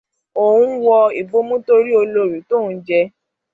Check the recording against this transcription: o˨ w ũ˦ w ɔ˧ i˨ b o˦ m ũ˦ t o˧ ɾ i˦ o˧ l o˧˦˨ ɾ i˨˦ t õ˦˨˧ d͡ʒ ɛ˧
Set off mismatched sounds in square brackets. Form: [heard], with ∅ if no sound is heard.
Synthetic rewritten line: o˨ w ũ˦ w ɔ˧ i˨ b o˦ m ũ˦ t o˧ ɾ i˦ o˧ l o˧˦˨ ɾ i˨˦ t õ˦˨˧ d͡ʒ ɛ˧

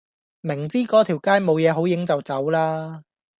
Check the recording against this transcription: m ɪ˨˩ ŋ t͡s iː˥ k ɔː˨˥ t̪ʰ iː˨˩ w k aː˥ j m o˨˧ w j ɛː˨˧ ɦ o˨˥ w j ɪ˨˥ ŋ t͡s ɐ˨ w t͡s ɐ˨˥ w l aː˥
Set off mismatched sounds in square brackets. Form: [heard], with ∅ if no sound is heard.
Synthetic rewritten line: m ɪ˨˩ ŋ t͡s iː˥ k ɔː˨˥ t̪ʰ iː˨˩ w k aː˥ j m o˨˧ w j ɛː˨˧ ɦ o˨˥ w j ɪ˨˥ ŋ t͡s ɐ˨ w t͡s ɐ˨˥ w l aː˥

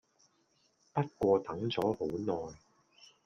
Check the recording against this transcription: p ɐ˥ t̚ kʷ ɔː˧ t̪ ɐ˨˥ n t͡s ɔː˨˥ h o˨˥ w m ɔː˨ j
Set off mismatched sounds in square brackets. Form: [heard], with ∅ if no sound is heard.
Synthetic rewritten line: p ɐ˥ t̚ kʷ ɔː˧ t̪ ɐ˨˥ [ŋ] t͡s ɔː˨˥ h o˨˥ w [n] ɔː˨ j

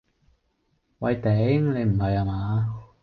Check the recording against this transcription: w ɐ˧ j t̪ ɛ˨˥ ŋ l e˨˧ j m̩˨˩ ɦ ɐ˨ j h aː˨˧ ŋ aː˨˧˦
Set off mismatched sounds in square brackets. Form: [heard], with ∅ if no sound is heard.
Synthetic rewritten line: w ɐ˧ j t̪ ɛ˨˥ ŋ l e˨˧ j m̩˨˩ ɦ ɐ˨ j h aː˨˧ [m] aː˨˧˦

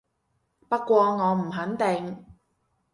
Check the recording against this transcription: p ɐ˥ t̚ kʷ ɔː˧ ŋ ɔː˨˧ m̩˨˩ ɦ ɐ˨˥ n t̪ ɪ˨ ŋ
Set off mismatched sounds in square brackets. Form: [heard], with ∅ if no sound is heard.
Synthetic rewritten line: p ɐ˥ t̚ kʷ ɔː˧ ŋ ɔː˨˧ m̩˨˩ ɦ ɐ˨˥ n t̪ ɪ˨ ŋ

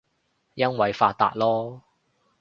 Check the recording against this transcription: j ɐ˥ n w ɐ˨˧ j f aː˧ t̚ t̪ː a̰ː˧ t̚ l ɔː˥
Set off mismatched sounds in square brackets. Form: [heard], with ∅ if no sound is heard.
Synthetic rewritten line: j ɐ˥ n w ɐ˨˧ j f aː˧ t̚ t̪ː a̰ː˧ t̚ l ɔː˥

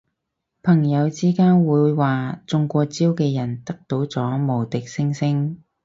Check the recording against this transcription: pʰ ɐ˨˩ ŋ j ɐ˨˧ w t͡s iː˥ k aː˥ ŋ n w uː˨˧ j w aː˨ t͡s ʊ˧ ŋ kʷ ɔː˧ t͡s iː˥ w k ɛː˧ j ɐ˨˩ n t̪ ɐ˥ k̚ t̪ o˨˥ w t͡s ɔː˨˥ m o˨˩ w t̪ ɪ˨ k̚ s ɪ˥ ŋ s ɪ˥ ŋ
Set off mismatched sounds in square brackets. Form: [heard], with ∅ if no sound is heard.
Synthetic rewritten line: pʰ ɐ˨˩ ŋ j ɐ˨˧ w t͡s iː˥ k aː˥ [∅] n w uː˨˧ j w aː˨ t͡s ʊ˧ ŋ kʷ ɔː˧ t͡s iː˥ w k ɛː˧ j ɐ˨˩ n t̪ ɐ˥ k̚ t̪ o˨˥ w t͡s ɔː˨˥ m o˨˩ w t̪ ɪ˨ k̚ s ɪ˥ ŋ s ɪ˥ ŋ

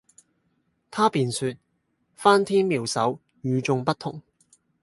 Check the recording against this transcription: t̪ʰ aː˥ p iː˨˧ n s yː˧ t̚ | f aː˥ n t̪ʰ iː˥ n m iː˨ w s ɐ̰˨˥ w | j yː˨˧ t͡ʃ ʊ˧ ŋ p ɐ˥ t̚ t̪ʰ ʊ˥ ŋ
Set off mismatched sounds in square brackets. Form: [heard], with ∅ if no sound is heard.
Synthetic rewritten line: t̪ʰ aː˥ p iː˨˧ n s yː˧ t̚ | f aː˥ n t̪ʰ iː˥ n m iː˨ w s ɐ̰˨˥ w | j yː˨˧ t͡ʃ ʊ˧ ŋ p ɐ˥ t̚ t̪ʰ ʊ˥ ŋ

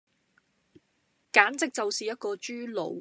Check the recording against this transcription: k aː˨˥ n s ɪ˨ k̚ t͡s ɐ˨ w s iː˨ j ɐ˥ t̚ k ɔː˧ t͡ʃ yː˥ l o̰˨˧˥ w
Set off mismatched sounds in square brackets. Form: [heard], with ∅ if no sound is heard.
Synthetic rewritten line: k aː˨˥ n [t͡s] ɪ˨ k̚ t͡s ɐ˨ w s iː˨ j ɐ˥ t̚ k ɔː˧ t͡ʃ yː˥ l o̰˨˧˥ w

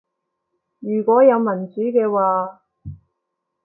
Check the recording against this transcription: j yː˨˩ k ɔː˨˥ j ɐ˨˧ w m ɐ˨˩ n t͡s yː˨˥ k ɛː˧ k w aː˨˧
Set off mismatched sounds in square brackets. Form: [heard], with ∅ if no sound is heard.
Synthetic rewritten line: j yː˨˩ k ɔː˨˥ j ɐ˨˧ w m ɐ˨˩ n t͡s yː˨˥ k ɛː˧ [∅] w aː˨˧

